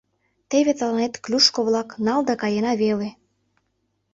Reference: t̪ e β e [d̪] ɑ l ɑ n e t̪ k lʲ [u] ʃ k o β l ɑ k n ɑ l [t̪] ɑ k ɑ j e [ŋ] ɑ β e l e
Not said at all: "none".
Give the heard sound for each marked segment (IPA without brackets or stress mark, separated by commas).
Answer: t̪, u, d̪, n